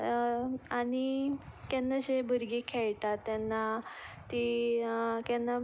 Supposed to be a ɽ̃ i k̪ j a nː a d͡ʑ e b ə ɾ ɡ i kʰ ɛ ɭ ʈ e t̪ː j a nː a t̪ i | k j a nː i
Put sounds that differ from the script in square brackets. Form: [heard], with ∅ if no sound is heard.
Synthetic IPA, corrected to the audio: a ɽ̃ i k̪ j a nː a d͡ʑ e b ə ɾ ɡ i kʰ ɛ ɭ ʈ [a] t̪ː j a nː a t̪ i | k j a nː [a]